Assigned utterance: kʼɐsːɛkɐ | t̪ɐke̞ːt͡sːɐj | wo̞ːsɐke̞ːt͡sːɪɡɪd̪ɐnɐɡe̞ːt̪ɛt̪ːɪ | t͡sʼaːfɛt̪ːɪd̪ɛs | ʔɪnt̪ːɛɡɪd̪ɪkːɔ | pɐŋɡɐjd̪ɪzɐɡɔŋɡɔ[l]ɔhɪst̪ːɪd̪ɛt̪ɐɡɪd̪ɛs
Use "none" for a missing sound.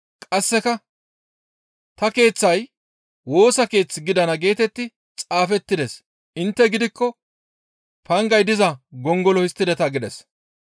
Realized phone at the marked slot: l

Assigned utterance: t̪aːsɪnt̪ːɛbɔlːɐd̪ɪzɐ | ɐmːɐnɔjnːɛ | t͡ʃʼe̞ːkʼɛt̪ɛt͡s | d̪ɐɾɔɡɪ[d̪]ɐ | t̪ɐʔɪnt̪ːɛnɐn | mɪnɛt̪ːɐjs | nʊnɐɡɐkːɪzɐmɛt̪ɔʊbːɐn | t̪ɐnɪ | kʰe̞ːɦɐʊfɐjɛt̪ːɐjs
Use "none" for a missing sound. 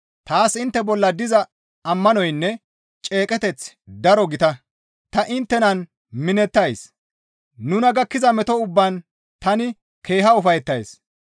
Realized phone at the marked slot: t̪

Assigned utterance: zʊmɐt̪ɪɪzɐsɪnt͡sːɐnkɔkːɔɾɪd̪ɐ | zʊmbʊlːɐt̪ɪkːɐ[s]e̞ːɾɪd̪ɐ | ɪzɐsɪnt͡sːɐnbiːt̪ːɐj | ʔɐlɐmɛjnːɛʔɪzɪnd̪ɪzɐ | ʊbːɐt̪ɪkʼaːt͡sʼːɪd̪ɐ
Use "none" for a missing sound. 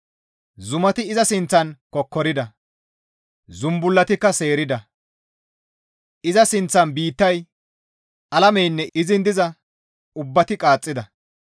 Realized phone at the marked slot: s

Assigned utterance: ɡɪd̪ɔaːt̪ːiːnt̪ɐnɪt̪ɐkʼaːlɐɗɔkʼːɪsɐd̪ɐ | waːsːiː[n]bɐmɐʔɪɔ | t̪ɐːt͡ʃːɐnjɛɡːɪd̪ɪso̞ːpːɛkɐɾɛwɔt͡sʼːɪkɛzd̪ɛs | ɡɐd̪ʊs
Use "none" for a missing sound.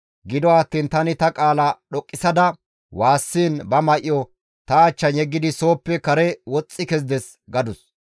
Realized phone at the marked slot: n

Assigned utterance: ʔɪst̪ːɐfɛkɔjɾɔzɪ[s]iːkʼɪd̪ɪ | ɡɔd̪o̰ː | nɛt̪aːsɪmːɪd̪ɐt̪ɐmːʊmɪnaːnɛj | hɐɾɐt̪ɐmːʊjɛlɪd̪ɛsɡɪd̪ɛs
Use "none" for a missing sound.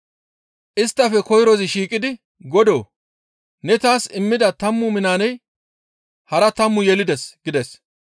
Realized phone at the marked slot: ʃ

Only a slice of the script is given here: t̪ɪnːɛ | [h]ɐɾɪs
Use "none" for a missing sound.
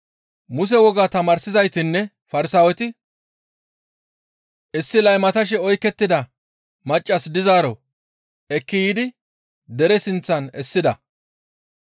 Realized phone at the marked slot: f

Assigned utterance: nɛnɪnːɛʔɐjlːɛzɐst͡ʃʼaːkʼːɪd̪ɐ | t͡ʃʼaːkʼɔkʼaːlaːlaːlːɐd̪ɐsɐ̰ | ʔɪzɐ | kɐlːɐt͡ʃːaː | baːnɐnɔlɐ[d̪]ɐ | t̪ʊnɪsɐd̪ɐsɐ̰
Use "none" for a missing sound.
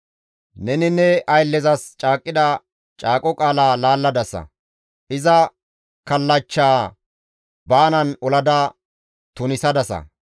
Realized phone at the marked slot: d̪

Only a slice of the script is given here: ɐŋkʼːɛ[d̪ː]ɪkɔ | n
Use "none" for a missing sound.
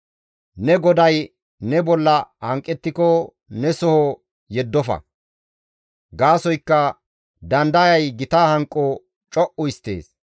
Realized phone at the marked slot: t̪ː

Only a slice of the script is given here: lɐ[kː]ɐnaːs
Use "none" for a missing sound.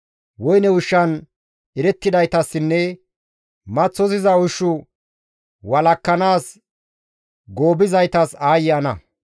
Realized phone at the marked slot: kː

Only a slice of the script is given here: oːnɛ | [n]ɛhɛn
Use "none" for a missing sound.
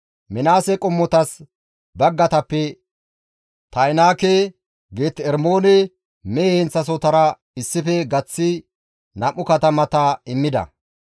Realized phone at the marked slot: m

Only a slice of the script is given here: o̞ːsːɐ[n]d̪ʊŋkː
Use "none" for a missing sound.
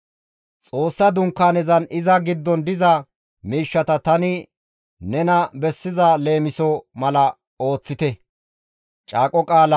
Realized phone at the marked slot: none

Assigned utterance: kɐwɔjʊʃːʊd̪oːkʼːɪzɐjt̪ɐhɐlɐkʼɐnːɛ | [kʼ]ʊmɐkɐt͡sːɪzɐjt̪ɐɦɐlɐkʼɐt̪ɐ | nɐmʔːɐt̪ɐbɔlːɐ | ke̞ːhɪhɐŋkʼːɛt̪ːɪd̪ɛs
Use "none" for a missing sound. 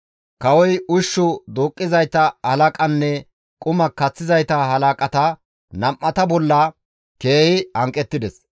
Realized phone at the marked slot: kʼ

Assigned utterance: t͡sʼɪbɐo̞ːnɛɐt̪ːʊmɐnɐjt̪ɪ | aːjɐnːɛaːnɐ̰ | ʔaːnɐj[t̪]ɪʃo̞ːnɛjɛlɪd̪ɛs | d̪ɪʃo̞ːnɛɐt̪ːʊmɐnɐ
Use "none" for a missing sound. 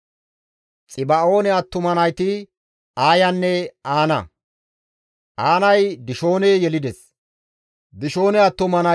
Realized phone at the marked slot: d̪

